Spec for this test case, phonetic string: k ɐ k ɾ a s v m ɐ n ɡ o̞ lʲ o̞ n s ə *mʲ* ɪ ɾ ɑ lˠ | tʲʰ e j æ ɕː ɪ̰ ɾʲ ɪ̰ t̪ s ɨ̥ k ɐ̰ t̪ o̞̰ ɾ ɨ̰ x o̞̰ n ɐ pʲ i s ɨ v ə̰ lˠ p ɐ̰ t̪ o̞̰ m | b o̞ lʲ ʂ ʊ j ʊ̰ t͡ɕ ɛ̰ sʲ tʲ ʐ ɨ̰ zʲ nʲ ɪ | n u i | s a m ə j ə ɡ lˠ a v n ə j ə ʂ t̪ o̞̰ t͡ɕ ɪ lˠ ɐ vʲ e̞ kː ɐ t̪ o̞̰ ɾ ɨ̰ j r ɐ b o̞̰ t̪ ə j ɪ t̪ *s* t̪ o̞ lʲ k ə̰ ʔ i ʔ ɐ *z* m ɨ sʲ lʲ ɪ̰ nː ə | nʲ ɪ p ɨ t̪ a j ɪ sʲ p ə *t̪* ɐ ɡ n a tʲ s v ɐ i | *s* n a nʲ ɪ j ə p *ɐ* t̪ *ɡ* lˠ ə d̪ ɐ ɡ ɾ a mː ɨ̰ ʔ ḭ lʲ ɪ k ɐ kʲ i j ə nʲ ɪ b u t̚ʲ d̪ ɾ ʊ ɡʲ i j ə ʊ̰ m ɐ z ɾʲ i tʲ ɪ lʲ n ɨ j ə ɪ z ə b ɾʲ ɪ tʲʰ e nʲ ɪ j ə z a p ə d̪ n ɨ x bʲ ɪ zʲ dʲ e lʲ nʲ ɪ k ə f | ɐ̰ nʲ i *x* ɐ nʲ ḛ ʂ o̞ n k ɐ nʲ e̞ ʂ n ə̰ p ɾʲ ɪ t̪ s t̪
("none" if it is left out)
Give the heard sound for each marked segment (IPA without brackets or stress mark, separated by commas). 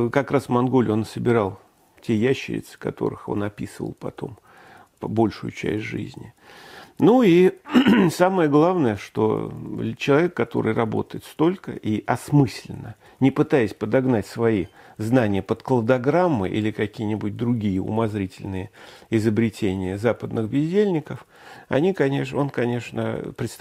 bʲ, s, s, d̪, z, ə, k, k